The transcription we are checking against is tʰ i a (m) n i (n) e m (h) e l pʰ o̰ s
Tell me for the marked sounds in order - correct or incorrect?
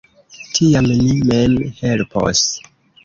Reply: correct, incorrect: m, correct

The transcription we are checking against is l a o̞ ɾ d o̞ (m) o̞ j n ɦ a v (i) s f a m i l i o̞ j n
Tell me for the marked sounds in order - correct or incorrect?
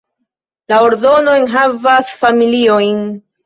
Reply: incorrect: n, incorrect: a

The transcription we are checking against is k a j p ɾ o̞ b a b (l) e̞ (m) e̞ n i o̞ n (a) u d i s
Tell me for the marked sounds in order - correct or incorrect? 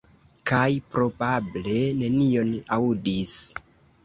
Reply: correct, incorrect: n, correct

